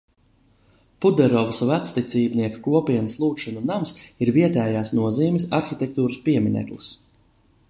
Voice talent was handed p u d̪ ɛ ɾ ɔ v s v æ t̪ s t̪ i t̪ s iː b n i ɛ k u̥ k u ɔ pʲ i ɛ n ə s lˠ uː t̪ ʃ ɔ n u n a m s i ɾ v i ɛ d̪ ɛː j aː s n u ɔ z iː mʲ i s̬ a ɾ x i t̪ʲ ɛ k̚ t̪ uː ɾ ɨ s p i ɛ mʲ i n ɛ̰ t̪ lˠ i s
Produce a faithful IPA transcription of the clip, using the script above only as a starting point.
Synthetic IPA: p u d̪ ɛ ɾ ɔ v s v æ t̪ s t̪ i t̪ s iː b n i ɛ k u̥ k u ɔ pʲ i ɛ n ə s lˠ uː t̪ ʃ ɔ n u n a m s i ɾ v i ɛ t̪ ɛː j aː s n u ɔ z iː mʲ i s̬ a ɾ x i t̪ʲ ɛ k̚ t̪ uː ɾ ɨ s p i ɛ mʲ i n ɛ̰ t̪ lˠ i s